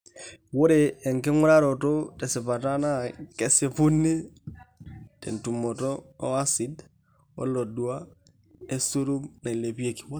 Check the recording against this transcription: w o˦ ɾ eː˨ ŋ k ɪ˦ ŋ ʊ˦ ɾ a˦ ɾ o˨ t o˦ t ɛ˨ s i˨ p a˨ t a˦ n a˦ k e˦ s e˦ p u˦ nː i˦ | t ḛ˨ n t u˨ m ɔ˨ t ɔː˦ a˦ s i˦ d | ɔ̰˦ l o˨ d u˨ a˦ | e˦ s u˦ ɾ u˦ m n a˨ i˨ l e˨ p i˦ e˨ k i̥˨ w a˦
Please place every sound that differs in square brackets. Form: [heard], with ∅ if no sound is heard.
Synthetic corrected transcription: w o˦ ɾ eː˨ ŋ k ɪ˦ ŋ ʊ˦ ɾ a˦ ɾ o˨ t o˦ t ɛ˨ s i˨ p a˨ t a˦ n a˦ k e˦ s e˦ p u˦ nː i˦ | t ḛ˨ n t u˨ m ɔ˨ t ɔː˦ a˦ s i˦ d | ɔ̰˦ l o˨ d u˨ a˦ | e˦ s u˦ ɾ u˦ m n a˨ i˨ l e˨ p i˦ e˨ k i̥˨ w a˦